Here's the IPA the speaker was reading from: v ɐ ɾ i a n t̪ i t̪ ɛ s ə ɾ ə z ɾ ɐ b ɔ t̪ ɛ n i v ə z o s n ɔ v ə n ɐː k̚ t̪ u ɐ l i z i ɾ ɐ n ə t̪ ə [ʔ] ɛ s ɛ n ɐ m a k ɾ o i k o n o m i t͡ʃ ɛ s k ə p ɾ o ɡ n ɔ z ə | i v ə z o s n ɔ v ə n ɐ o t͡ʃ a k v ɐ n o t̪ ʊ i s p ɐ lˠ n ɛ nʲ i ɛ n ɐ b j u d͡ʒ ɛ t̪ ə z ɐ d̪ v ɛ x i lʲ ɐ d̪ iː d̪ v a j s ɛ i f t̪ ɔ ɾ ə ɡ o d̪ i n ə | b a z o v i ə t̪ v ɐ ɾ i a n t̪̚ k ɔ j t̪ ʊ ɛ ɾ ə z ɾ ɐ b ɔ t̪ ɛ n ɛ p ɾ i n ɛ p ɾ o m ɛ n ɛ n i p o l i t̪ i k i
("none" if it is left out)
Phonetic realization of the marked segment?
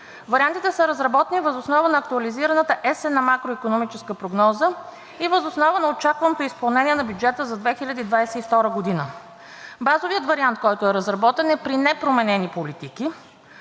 ʔ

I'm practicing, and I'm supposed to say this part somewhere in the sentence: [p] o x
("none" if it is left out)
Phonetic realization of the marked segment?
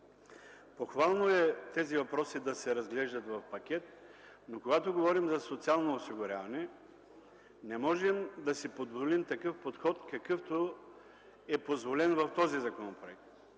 p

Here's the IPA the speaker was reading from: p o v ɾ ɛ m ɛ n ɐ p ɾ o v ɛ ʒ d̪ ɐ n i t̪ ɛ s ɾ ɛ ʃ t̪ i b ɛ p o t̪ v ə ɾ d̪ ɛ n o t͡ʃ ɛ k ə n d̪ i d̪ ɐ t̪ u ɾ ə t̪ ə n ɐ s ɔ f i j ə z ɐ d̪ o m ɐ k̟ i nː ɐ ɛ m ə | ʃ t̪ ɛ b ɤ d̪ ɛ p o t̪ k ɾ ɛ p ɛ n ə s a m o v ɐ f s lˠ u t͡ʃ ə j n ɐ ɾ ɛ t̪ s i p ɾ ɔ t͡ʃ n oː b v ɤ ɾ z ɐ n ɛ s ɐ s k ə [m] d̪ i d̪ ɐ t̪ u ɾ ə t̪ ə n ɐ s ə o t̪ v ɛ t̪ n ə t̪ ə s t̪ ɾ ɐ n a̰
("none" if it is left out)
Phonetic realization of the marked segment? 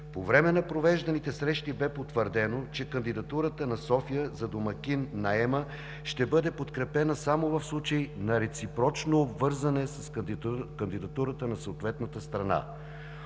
n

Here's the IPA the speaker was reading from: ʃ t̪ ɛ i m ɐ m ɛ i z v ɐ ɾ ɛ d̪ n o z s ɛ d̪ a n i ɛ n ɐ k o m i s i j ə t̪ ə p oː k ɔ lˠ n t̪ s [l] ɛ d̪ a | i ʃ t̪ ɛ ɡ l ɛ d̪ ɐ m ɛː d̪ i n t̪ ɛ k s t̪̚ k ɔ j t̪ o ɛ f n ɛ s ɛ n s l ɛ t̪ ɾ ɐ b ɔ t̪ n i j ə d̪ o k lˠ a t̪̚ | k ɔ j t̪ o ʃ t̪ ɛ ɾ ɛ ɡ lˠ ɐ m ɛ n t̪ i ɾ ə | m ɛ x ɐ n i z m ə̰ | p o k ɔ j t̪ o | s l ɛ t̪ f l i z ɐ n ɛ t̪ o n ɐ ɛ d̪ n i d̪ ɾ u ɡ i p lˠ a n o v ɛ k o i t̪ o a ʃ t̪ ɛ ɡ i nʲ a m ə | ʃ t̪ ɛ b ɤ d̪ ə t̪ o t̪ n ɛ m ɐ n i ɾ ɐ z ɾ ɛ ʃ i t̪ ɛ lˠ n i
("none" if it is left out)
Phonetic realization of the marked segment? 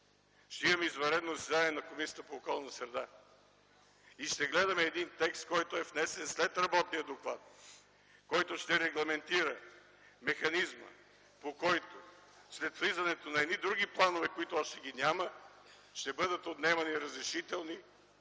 ɾ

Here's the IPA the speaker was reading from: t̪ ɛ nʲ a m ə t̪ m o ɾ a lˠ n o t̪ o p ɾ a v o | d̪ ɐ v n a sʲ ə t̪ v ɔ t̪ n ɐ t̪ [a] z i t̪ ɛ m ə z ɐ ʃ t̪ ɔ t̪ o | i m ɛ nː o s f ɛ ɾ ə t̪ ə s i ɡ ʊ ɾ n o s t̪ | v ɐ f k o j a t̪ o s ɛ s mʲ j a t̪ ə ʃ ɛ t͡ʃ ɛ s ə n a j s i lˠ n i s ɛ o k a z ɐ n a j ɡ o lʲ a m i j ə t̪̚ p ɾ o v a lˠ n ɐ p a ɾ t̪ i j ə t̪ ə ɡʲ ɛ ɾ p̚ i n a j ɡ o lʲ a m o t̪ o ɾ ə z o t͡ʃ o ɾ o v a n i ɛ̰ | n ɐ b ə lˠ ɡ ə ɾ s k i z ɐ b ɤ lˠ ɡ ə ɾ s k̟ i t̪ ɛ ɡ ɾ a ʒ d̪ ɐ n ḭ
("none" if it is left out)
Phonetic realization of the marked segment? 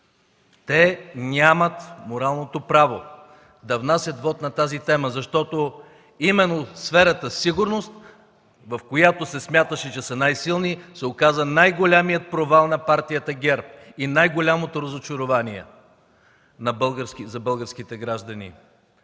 a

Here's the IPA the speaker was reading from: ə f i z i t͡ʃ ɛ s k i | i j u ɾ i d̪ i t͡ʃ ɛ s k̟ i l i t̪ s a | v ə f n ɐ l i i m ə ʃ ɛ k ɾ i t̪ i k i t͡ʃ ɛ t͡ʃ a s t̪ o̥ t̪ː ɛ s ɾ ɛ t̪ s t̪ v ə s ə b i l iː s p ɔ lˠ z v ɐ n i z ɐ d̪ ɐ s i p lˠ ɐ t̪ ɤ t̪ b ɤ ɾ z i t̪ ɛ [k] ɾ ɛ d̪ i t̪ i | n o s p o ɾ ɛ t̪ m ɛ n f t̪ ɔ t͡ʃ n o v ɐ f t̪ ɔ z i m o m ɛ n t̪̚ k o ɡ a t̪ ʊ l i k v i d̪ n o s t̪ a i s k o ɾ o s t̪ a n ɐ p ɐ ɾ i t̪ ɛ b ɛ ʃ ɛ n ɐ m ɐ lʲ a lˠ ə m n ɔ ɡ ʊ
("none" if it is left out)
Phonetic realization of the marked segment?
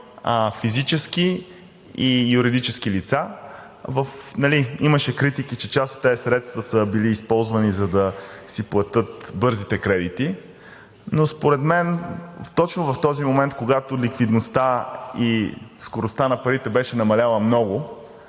k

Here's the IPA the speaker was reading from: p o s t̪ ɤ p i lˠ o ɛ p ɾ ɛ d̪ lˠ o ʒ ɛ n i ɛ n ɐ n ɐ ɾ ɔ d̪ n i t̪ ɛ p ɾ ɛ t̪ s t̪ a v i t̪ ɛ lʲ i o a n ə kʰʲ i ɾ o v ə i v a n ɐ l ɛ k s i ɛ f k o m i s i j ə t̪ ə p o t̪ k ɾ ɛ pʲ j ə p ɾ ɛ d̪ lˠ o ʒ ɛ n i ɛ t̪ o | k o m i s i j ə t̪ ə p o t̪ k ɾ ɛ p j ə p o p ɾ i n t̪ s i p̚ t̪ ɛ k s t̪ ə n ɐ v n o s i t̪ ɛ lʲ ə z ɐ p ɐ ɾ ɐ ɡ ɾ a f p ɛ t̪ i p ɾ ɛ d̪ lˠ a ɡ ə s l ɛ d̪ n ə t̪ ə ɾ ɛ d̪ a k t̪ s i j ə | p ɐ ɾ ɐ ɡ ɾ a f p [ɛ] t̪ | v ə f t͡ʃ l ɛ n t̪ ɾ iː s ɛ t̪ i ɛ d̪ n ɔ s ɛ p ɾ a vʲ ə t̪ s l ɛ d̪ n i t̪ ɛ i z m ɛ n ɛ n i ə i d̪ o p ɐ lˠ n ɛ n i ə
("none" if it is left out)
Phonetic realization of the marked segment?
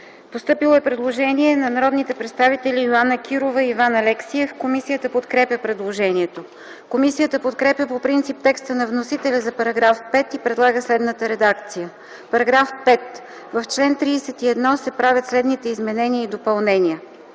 ɛ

